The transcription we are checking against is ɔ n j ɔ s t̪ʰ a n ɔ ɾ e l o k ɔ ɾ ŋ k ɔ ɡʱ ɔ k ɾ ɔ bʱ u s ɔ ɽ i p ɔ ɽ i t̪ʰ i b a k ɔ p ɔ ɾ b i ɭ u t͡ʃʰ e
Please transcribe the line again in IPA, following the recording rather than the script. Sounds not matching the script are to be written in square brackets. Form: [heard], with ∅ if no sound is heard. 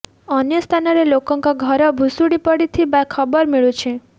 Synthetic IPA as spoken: ɔ n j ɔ s t̪ʰ a n ɔ ɾ e l o k ɔ [∅] ŋ k ɔ ɡʱ ɔ [∅] ɾ ɔ bʱ u s [u] ɽ i p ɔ ɽ i t̪ʰ i b a [kʰ] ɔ [b] ɔ ɾ [m] i ɭ u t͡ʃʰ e